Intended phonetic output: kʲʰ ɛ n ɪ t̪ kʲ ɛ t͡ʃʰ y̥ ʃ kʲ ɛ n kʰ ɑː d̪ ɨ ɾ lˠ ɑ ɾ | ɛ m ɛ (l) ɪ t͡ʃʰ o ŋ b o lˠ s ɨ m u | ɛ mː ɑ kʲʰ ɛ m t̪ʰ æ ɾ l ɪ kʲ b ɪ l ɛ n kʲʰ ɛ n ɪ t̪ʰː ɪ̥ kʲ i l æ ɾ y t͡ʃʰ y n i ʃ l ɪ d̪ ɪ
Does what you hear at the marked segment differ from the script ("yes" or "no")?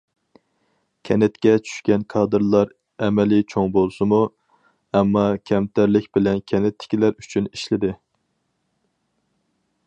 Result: no